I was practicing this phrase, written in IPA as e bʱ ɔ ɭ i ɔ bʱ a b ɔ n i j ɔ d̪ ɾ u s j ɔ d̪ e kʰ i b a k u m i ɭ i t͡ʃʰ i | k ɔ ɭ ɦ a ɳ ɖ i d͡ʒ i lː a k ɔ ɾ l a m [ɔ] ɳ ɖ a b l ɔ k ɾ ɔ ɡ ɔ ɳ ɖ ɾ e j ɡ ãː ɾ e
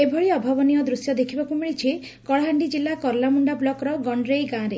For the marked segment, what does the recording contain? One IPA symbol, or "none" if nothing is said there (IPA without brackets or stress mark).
u